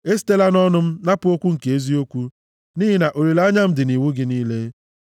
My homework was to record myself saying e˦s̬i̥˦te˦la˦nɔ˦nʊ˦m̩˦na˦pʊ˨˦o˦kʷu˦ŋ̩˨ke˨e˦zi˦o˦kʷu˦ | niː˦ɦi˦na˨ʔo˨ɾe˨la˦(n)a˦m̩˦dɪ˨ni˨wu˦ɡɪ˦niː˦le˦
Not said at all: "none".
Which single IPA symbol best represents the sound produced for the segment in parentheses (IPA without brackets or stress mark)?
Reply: ɲ